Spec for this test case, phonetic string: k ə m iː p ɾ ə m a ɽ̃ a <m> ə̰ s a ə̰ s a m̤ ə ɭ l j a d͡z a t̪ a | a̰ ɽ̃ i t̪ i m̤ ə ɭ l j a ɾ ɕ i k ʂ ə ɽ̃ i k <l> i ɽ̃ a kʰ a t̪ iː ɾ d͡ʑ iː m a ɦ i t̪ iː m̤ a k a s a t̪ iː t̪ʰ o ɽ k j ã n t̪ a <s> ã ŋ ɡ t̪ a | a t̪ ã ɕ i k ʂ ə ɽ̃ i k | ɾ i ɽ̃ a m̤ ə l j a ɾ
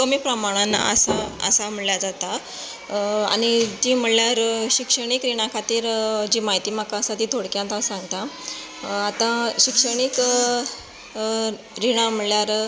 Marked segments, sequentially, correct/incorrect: incorrect: n, incorrect: ɾ, correct

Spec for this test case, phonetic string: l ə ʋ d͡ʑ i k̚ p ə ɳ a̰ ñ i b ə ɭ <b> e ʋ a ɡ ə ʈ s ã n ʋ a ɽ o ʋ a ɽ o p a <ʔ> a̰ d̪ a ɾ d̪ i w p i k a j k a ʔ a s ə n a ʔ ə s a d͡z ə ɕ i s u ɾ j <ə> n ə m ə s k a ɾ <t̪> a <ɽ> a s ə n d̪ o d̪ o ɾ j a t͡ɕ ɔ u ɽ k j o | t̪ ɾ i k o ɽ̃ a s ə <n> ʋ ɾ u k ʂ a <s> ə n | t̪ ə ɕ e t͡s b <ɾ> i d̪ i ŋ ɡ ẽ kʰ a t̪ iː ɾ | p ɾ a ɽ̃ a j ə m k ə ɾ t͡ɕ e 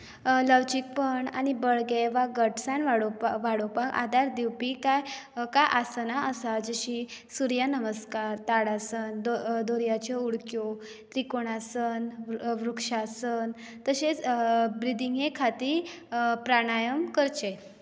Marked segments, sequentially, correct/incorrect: incorrect: ɡ, incorrect: k, incorrect: a, correct, correct, correct, correct, correct

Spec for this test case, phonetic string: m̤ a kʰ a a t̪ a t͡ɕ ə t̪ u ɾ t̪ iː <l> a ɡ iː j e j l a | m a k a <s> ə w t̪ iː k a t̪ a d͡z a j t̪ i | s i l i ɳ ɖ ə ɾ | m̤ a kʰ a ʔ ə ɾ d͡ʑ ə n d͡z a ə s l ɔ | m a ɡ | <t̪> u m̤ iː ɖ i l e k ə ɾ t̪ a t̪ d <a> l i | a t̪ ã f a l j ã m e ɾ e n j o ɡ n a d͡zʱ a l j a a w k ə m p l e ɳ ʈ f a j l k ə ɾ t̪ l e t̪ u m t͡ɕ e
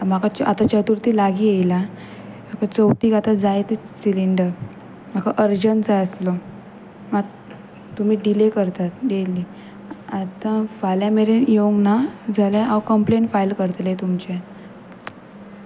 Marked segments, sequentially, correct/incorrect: correct, incorrect: t͡s, correct, incorrect: e

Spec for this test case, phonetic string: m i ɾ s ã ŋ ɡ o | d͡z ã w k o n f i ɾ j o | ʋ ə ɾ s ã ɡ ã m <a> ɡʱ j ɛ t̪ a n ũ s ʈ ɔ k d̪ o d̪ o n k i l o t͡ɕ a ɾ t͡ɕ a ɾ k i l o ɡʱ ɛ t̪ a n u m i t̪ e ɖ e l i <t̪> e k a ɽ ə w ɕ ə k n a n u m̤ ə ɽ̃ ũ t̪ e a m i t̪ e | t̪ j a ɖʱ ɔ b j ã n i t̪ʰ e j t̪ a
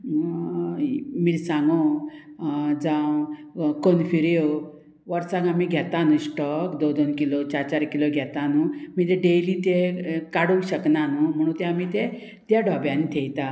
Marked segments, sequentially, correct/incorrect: incorrect: i, correct

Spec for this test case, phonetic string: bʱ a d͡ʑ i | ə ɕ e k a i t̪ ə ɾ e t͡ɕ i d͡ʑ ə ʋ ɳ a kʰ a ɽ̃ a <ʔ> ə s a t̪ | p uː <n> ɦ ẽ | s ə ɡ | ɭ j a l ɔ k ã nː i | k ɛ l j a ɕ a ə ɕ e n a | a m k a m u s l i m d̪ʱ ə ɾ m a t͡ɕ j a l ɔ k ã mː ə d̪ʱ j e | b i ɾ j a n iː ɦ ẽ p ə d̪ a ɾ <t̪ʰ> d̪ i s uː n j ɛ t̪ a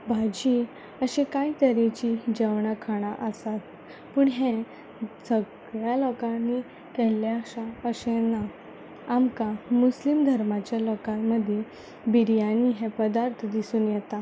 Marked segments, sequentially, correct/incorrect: correct, incorrect: ɳ, correct

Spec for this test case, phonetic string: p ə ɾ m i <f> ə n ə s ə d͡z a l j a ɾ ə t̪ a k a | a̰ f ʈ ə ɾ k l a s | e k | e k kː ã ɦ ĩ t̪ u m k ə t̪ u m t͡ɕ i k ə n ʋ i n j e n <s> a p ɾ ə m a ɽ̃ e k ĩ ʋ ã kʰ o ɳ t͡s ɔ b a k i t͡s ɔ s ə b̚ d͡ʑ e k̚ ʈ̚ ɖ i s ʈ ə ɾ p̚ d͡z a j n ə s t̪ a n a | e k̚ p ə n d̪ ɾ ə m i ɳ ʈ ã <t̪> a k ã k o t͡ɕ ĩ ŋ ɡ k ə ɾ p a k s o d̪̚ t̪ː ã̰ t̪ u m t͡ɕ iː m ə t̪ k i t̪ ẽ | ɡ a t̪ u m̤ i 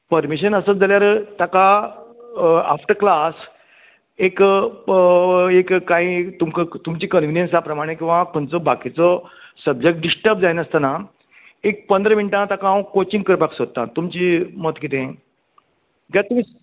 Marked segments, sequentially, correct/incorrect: incorrect: ɕ, correct, correct

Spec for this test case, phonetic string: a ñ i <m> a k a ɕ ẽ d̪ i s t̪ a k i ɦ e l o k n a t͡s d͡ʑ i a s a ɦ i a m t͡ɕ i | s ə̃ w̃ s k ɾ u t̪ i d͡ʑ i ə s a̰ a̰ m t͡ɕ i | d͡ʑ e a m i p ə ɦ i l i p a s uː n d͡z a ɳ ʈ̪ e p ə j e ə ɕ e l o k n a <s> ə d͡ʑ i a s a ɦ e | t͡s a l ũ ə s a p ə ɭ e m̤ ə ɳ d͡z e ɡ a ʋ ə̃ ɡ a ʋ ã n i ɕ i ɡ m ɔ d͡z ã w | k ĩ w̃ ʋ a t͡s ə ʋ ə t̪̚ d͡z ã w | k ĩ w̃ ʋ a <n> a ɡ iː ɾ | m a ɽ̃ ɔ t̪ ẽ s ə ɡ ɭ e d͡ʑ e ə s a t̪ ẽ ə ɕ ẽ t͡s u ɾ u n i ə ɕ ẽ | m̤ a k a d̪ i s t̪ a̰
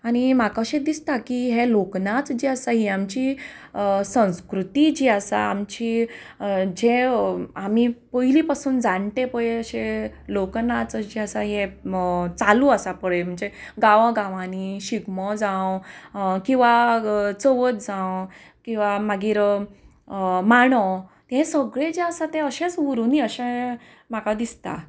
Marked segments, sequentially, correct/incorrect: correct, incorrect: t͡s, incorrect: m

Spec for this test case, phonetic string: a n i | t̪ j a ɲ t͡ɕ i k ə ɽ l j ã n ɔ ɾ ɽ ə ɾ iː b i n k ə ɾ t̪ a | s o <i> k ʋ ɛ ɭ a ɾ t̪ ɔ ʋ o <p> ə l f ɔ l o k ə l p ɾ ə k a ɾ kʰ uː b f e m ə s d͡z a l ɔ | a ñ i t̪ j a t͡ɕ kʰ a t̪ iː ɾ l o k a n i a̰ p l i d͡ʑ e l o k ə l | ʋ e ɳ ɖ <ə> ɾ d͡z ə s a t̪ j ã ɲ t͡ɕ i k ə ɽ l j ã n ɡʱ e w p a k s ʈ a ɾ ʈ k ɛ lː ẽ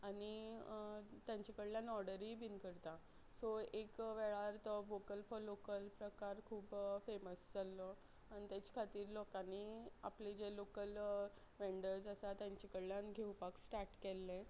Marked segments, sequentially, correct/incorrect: incorrect: e, incorrect: k, correct

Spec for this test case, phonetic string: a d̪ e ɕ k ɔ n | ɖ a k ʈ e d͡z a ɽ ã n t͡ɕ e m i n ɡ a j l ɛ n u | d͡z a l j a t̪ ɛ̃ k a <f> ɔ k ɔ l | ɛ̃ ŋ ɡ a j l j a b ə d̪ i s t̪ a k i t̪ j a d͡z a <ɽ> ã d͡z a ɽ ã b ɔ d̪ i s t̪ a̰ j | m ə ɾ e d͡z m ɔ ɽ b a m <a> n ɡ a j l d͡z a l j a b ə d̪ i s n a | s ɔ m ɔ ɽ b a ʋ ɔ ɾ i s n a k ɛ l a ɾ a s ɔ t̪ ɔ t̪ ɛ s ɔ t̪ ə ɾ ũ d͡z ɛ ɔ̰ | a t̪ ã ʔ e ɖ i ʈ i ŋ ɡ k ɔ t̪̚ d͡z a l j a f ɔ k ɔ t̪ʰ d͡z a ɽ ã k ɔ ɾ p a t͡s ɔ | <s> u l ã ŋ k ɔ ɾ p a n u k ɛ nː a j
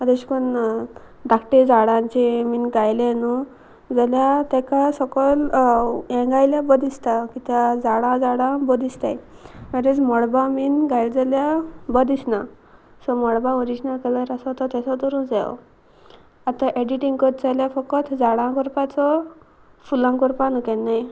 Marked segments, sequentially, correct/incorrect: incorrect: s, correct, incorrect: i, incorrect: f

